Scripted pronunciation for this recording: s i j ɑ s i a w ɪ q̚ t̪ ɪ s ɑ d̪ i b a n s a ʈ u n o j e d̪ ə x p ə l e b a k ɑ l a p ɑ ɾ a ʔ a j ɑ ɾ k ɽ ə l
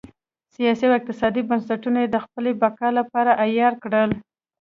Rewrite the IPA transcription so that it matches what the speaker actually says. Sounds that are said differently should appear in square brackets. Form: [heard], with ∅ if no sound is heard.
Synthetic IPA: s i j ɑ s i a w ɪ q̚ t̪ ɪ s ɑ d̪ i b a n s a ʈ u n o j e d̪ ə x p ə l e b a k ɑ l a p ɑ ɾ a ʔ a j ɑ ɾ k ɽ ə l